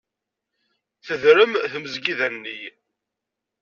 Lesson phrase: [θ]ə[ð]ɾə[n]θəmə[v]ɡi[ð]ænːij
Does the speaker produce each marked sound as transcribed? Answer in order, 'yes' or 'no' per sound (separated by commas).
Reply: yes, yes, no, no, yes